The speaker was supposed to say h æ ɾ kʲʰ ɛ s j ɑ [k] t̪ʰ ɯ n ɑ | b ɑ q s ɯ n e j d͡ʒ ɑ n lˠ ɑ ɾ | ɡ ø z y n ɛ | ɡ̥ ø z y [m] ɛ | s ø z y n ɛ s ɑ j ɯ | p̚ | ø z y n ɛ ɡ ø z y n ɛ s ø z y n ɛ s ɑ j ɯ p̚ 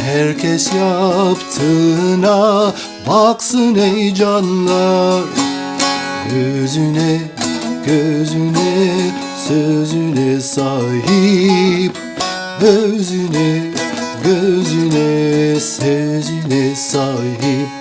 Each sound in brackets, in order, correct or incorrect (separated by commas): incorrect, incorrect